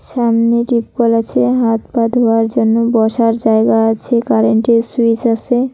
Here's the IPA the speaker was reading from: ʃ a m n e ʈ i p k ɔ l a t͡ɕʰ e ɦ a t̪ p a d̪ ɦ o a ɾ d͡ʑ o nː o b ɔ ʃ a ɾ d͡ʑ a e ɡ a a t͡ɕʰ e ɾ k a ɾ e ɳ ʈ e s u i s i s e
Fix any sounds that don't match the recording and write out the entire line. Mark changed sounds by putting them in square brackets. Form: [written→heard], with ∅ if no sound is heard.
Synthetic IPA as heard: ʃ a m n e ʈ i p k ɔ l a t͡ɕʰ e ɦ a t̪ p a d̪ ɦ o a ɾ d͡ʑ o nː o b ɔ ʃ a ɾ d͡ʑ a e ɡ a a t͡ɕʰ e [ɾ→∅] k a ɾ e ɳ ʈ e s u i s [i→a] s e